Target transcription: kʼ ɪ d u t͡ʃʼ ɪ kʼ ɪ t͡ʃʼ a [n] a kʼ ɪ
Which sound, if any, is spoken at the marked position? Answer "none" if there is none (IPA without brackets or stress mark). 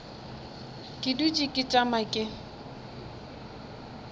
m